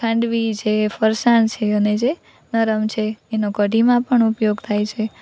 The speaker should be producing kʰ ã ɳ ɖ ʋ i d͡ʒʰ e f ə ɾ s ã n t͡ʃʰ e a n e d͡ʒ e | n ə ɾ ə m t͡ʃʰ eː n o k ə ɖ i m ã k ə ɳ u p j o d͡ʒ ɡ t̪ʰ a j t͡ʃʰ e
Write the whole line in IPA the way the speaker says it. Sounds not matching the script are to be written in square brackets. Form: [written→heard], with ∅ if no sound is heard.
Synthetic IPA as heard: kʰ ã ɳ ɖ ʋ i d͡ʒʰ e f ə ɾ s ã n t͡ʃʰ e [a→ə] n e d͡ʒ e | n ə ɾ ə m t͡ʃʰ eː n o k ə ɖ i m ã [k→p] ə ɳ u p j o [d͡ʒ→∅] ɡ t̪ʰ a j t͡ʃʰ e